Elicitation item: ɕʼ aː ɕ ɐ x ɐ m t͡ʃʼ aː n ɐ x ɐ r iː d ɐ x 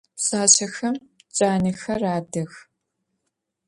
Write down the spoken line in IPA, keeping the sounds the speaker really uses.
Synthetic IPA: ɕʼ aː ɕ ɐ x ɐ m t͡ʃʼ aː n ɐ x ɐ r aː d ɐ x

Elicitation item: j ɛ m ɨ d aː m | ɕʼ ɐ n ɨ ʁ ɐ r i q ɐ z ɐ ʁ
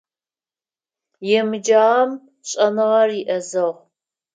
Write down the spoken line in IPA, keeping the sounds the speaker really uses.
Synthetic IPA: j ɛ m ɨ d͡ʒ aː m | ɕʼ ɐ n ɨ ʁ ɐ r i ʔ ɐ z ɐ ʁ

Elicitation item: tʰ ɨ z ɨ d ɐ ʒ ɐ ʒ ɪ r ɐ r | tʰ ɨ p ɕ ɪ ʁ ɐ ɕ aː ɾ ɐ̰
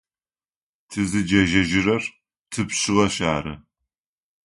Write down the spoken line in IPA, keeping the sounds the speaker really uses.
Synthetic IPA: tʰ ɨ z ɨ d͡ʒ ɐ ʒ ɐ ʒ ɪ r ɐ r | tʰ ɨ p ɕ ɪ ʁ ɐ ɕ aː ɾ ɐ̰

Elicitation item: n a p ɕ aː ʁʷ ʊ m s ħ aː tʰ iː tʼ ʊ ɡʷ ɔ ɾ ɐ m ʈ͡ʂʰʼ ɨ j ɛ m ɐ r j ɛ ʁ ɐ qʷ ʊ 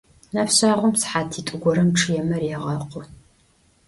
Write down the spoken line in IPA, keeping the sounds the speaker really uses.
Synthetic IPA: n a p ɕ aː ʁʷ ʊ m s ħ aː tʰ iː tʼ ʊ ɡʷ ɔ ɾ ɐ m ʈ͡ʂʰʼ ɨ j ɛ m ɐ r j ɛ ʁ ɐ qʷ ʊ

